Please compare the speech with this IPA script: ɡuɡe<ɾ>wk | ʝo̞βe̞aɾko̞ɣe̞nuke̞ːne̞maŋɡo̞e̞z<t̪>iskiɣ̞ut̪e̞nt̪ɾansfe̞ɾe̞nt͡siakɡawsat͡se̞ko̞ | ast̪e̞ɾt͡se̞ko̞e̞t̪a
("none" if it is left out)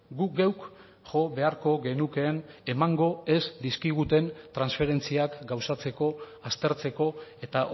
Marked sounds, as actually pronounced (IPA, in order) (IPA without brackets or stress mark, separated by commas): none, d̪